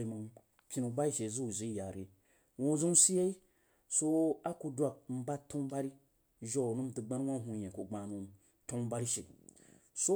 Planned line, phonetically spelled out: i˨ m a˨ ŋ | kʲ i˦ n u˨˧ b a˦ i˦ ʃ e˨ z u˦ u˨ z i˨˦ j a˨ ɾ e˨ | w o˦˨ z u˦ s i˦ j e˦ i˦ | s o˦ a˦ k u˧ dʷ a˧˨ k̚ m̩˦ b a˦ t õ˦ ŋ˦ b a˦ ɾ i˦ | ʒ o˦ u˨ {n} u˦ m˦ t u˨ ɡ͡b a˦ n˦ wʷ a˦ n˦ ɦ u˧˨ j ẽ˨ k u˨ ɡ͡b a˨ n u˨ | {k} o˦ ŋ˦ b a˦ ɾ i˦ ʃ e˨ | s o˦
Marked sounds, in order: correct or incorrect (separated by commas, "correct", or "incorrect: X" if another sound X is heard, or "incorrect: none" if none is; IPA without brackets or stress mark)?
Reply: correct, incorrect: t